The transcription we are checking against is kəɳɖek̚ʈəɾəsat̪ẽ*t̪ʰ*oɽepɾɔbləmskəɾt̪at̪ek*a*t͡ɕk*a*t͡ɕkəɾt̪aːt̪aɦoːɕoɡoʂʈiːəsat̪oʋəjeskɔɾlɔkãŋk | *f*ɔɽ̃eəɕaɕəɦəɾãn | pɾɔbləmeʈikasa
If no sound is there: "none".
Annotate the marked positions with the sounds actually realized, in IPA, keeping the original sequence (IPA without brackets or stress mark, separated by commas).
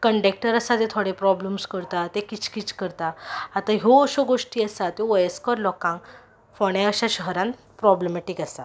t̪ʰ, i, i, f